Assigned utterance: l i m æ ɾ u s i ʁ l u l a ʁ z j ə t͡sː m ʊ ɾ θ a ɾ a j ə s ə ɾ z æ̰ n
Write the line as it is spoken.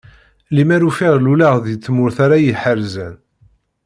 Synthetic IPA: l i m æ ɾ u f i ʁ l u l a ʁ ð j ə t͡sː m ʊ ɾ θ a ɾ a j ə ħ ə ɾ z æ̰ n